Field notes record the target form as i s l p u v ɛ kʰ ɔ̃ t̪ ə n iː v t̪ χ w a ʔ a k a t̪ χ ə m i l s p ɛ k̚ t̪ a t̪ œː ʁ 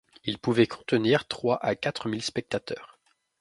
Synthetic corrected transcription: i l p u v ɛ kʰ ɔ̃ t̪ ə n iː ʁ t̪ χ w a ʔ a k a t̪ χ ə m i l s p ɛ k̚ t̪ a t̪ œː ʁ